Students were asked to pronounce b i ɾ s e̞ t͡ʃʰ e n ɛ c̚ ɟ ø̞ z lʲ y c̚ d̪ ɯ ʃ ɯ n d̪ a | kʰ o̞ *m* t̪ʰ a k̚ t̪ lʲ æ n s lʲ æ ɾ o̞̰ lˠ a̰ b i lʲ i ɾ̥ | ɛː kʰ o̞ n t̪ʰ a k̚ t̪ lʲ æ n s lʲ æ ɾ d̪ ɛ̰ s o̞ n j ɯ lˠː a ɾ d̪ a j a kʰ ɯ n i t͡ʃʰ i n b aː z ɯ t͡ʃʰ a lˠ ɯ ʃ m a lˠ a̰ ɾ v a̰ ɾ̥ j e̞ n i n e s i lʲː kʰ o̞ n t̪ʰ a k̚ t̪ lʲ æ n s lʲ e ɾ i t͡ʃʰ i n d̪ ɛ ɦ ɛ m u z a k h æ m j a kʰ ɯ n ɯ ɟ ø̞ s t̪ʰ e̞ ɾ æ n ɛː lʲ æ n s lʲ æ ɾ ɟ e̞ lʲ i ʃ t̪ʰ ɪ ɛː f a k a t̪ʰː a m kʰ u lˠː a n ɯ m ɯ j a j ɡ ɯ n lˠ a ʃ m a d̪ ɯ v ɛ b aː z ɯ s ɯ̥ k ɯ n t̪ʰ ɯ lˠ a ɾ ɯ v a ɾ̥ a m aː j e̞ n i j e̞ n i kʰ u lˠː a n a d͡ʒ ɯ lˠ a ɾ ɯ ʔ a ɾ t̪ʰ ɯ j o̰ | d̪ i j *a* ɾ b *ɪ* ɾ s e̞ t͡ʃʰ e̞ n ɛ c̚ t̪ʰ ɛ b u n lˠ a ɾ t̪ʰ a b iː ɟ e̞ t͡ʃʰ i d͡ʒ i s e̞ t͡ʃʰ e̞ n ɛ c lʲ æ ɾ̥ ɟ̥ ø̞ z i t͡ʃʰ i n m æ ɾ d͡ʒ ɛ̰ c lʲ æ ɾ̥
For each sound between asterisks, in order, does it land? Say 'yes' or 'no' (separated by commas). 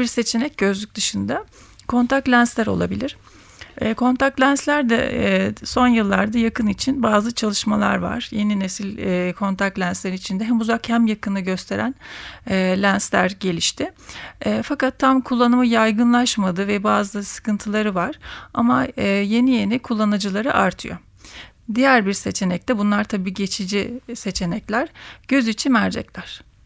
no, no, no